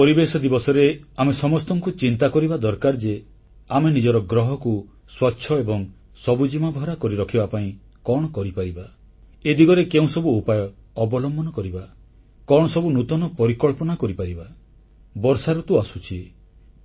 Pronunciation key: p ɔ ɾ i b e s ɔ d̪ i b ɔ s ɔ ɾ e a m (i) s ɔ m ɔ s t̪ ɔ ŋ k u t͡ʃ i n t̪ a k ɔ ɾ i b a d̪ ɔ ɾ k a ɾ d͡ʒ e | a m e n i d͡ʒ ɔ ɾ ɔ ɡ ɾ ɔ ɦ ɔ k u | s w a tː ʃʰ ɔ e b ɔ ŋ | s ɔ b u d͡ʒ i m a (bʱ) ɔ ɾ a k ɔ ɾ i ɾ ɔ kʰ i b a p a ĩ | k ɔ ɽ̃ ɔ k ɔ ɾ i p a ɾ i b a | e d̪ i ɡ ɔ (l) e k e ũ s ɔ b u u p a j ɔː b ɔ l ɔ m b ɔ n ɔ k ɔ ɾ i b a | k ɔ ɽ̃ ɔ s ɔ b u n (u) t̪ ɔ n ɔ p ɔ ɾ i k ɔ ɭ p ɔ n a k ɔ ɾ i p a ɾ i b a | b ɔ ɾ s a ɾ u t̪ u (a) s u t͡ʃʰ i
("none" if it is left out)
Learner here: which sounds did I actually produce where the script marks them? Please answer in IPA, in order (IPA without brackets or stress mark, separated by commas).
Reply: e, bʱ, ɾ, u, a